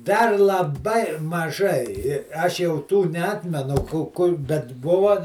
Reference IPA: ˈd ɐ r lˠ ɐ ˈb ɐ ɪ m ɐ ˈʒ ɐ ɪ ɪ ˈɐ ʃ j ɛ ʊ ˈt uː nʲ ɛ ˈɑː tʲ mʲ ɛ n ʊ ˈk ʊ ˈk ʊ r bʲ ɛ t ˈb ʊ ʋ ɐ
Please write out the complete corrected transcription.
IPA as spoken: ˈd ɐ r lˠ ɐ ˈb ɐ ɪ m ɐ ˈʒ ɐ ɪ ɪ ˈɐ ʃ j ɛ ʊ ˈt uː nʲ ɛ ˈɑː tʲ mʲ ɛ n ʊ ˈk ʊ ˈk ʊ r bʲ ɛ t ˈb ʊ ʋ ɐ